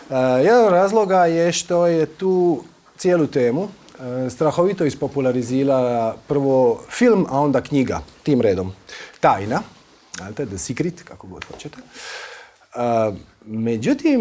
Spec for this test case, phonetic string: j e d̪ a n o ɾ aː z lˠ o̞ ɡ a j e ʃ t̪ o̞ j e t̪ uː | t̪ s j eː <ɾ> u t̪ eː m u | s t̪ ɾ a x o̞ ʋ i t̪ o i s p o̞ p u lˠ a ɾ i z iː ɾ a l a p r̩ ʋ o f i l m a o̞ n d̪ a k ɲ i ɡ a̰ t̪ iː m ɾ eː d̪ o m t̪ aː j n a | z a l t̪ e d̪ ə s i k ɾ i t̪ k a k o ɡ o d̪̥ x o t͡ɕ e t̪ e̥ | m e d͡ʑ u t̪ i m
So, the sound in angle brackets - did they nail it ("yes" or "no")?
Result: no